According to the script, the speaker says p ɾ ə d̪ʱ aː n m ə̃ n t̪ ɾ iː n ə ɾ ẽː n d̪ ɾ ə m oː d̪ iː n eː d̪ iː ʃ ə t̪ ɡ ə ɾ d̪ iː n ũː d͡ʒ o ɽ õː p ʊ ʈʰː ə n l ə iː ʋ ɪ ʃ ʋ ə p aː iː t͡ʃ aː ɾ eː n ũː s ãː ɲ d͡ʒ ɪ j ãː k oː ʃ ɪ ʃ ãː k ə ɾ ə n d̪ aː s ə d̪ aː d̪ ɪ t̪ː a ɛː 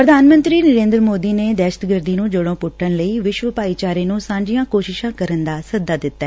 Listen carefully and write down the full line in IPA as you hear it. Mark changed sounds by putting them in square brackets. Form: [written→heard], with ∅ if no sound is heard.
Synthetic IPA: p ɾ ə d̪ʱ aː n m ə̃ n t̪ ɾ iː n ə ɾ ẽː n d̪ ɾ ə m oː d̪ iː n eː d̪ [iː→ɛː] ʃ ə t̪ ɡ ə ɾ d̪ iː n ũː d͡ʒ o ɽ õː p ʊ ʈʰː ə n l ə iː ʋ ɪ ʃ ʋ ə p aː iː t͡ʃ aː ɾ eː n ũː s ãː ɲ d͡ʒ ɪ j ãː k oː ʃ ɪ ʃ ãː k ə ɾ ə n d̪ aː s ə d̪ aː d̪ ɪ t̪ː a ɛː